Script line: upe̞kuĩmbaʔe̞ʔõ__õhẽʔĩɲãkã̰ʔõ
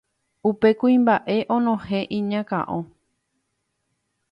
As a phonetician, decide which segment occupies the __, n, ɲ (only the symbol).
n